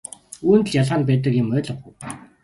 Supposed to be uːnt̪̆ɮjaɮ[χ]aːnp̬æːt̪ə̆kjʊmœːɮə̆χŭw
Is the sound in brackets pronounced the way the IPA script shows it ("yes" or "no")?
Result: no